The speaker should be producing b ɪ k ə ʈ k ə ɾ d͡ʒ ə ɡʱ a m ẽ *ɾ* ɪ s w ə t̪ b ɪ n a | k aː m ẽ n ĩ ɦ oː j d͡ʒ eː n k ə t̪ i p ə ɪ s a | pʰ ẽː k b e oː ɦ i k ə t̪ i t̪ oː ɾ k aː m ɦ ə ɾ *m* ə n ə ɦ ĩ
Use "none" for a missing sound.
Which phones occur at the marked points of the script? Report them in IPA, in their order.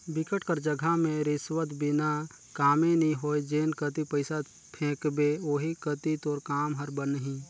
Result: ɾ, b

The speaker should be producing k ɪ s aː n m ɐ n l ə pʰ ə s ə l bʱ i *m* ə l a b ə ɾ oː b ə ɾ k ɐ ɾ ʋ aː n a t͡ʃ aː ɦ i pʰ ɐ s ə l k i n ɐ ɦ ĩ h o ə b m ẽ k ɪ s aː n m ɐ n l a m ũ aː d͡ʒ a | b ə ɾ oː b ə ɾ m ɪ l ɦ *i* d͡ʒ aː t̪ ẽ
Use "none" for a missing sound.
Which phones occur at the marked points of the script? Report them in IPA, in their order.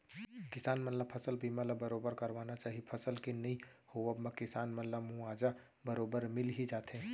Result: m, i

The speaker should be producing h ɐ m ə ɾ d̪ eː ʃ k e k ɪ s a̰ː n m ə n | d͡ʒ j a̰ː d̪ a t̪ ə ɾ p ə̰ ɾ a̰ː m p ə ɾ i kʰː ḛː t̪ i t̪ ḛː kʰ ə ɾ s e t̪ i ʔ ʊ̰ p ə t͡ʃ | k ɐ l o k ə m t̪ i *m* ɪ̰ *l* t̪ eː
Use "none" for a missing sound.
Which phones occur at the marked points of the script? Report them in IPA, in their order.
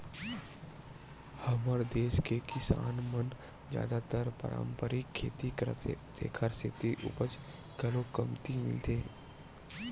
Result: m, l

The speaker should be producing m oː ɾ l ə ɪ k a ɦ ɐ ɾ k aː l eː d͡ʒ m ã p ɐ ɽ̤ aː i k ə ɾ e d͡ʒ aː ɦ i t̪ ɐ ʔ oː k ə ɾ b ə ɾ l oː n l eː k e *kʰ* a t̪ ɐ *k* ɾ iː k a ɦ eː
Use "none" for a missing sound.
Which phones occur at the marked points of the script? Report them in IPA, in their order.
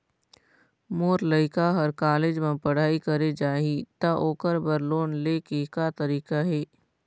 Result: k, none

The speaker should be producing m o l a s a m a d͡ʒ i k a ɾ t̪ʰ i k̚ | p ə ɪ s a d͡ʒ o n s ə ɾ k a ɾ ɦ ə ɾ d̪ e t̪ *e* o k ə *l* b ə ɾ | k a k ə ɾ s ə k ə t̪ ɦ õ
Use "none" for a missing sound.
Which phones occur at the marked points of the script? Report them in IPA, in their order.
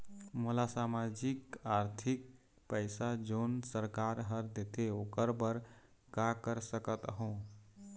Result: e, ɾ

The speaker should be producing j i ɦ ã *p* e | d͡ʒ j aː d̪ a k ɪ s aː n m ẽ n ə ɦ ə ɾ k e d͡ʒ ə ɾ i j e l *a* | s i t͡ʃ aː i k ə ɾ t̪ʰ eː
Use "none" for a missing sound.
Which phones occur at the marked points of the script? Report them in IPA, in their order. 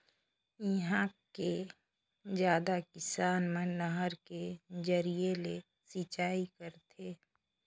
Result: k, e

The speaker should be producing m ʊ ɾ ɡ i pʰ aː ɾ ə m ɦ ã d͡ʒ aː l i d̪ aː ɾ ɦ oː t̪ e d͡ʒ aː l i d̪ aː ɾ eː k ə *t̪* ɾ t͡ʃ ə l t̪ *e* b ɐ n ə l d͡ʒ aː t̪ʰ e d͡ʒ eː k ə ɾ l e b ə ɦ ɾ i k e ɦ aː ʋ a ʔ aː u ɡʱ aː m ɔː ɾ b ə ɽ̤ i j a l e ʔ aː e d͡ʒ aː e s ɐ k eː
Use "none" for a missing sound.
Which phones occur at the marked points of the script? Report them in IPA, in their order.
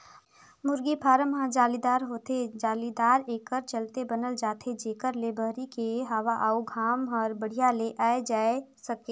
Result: none, e

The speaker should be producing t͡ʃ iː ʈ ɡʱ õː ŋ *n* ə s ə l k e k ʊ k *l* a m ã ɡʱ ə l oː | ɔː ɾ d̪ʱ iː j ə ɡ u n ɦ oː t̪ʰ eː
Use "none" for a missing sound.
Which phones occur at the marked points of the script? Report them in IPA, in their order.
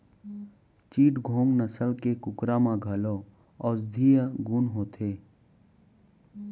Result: n, ɾ

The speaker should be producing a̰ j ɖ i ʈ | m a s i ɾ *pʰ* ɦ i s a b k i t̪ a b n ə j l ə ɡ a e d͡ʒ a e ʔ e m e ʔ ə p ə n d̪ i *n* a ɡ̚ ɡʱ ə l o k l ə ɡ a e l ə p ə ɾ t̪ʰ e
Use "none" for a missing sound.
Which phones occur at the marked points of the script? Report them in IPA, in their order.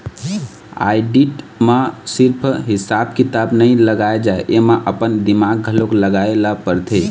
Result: pʰ, m

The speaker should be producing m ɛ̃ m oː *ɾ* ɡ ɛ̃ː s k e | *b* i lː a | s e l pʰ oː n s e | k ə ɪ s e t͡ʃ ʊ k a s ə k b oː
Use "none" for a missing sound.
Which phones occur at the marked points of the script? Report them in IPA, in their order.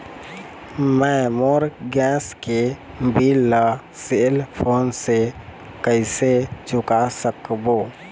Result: ɾ, b

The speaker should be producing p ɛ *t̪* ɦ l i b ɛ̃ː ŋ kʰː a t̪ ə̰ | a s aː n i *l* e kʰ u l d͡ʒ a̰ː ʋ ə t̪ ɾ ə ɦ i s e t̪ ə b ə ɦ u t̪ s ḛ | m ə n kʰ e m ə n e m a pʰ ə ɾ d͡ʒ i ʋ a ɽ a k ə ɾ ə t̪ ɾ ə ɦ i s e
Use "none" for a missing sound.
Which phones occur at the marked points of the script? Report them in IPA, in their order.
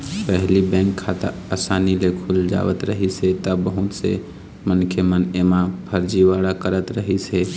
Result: none, l

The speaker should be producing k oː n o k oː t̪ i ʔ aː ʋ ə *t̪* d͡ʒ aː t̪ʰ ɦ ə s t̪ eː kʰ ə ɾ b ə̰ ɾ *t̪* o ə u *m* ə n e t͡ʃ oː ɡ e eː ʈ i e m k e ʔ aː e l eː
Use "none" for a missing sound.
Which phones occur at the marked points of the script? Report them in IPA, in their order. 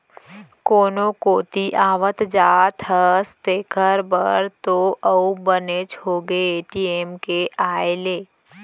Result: t̪, t̪, b

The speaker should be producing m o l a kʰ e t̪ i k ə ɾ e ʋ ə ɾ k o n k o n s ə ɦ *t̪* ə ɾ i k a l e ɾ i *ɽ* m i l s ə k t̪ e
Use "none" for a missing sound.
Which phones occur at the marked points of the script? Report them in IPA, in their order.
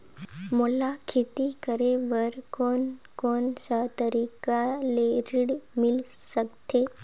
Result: t̪, ɽ

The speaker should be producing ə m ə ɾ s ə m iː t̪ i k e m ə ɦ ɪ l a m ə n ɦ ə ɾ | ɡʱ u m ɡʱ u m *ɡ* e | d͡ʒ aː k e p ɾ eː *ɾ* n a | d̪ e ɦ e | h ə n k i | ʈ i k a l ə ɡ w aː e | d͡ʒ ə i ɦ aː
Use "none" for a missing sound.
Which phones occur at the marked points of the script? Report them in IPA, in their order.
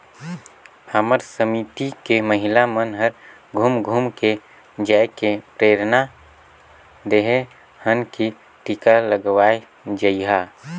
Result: k, ɾ

